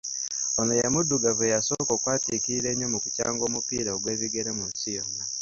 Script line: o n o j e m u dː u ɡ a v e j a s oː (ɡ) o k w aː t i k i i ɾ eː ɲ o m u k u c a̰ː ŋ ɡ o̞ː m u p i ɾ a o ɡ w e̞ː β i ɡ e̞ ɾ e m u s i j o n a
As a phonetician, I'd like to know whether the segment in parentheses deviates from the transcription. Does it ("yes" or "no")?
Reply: yes